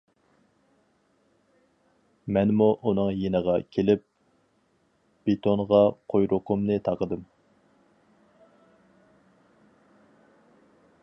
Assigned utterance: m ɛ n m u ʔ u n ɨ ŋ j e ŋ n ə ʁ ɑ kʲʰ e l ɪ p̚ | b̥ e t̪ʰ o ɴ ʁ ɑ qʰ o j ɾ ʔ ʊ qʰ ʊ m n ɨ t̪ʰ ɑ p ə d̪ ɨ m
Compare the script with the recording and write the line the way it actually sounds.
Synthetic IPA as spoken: m ɛ n m u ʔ u n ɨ ŋ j e n ə ʁ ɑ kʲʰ e l ɪ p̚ | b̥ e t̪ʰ o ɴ ʁ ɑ qʰ o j ɾ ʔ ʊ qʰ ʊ m n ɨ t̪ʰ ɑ q ə d̪ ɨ m